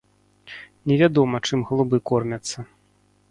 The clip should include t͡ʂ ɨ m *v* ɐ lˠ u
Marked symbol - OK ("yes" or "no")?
no